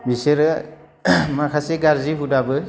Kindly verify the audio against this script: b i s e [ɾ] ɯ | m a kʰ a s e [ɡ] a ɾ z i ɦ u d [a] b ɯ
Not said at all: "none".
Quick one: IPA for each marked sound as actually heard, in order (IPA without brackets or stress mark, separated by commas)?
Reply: ɾ, ɡ, a